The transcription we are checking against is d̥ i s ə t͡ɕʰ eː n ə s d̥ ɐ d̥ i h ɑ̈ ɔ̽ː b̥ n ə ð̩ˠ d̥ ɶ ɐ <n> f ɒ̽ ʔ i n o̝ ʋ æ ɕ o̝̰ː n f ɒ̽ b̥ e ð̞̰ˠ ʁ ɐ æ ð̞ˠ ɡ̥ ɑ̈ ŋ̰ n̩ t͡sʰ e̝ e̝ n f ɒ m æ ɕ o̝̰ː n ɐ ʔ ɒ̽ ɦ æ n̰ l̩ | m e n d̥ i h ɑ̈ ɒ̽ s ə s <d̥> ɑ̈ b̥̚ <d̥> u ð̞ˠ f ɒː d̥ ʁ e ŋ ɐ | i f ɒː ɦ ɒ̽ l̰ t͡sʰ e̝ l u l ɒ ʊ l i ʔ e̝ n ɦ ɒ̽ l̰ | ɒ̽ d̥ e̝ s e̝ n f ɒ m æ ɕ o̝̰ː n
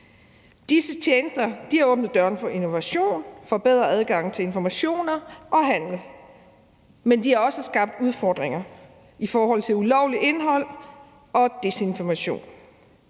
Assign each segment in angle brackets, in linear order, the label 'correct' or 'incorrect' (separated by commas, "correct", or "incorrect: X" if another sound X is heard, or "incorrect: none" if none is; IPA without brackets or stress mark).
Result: correct, incorrect: ɡ̥, correct